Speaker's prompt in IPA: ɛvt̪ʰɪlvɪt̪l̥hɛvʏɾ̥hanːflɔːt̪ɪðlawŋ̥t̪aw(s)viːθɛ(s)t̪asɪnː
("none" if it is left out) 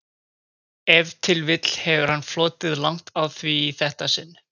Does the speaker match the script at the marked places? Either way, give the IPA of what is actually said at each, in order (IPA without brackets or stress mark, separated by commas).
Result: θ, h